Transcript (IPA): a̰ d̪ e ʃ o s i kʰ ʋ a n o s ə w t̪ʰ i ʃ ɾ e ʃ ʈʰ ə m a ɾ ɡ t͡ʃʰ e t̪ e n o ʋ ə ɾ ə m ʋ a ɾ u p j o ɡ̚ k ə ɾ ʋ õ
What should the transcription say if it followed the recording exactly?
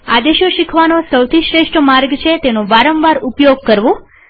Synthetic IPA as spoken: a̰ d̪ e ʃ o ʃ i kʰ ʋ a n o s ə w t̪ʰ i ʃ ɾ e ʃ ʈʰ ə m a ɾ ɡ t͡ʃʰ e t̪ e n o ʋ a ɾ ə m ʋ a ɾ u p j o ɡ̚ k ə ɾ ʋ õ